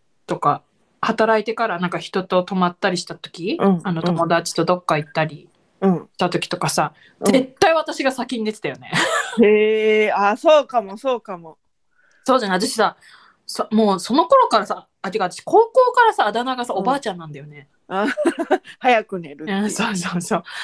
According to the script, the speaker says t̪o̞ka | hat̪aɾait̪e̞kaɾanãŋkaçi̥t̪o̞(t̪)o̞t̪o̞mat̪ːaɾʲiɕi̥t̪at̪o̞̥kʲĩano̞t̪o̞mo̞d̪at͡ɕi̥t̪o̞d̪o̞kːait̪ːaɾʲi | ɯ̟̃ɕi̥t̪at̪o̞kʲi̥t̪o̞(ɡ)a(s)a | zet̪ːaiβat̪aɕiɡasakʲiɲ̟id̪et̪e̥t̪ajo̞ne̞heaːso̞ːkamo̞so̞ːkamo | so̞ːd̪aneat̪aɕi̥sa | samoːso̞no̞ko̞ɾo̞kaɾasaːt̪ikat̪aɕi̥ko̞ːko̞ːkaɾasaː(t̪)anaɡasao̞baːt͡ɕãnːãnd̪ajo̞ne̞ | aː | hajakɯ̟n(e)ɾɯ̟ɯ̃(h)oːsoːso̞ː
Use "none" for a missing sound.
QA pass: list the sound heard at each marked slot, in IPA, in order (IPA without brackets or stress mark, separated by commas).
t̪, k, s, d̪, e, s